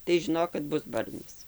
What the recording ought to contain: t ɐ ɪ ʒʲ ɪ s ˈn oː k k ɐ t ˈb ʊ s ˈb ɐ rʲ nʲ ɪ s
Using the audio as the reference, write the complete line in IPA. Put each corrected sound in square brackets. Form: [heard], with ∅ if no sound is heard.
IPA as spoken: t ɐ ɪ ʒʲ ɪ [∅] ˈn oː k k ɐ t ˈb ʊ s ˈb ɐ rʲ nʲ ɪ s